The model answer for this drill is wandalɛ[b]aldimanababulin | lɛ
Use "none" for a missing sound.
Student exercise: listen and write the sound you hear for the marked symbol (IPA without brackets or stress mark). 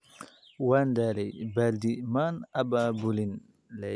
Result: b